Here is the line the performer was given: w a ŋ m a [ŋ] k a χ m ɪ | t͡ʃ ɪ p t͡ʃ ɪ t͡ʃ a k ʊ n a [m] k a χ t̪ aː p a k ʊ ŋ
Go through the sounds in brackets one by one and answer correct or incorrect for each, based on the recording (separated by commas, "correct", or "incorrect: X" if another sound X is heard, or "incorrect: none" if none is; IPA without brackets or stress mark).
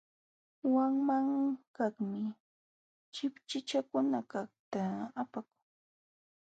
correct, incorrect: none